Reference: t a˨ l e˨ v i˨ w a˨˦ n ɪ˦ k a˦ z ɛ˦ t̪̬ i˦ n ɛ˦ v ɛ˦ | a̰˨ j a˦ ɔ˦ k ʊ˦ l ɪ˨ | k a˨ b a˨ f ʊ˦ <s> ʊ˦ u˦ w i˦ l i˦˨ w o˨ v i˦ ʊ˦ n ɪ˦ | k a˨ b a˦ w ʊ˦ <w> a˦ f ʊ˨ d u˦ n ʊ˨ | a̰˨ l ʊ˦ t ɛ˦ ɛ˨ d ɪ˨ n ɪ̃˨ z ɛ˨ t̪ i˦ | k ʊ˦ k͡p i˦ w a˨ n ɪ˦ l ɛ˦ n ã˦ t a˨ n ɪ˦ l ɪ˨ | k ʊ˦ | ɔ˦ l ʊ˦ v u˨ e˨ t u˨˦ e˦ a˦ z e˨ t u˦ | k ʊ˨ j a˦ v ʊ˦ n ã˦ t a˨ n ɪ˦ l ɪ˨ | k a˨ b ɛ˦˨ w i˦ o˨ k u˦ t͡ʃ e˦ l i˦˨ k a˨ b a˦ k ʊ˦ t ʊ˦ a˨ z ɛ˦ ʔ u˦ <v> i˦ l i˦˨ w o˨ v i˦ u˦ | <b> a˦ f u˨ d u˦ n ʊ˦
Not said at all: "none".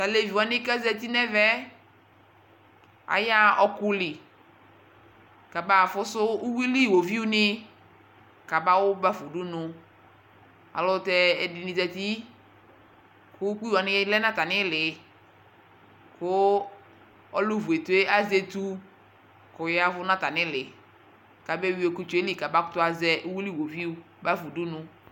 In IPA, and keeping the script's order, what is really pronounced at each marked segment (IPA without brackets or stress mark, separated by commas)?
s, b, w, b